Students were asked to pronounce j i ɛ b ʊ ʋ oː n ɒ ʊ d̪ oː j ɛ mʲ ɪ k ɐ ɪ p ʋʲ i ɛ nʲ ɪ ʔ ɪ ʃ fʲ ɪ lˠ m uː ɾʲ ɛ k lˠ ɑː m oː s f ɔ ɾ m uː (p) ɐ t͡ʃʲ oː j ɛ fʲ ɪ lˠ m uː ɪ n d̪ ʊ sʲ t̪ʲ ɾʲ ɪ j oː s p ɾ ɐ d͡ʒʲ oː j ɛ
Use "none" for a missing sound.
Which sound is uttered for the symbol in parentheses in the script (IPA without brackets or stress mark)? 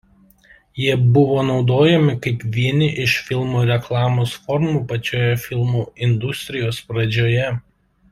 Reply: p